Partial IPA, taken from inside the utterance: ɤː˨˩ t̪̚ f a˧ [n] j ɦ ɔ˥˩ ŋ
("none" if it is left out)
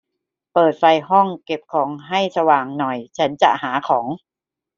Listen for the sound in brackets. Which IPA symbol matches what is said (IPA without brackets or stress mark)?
none